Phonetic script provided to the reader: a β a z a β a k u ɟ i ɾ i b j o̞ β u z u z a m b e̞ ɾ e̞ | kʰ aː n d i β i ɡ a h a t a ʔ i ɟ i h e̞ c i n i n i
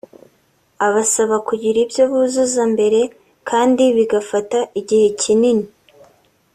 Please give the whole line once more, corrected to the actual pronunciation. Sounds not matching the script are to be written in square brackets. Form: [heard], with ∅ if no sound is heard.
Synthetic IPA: a β a [s] a β a k u ɟ i ɾ i b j o̞ β u z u z a m b e̞ ɾ e̞ | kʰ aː n d i β i ɡ a [f] a t a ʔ i ɟ i h e̞ c i n i n i